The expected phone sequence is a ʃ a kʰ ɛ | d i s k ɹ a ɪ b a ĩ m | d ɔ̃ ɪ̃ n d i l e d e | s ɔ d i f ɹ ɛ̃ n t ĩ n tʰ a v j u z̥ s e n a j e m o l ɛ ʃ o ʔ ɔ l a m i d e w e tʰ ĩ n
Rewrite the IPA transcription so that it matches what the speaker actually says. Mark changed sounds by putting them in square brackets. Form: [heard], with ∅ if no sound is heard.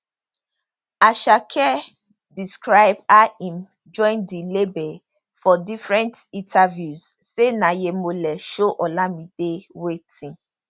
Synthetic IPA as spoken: a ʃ a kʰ ɛ | d i s k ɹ a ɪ b a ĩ m | [d͡ʒ] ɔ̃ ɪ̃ n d i l e [b] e | [f] ɔ d i f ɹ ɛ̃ n t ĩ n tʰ a v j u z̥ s e n a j e m o l ɛ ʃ o ʔ ɔ l a m i d e w e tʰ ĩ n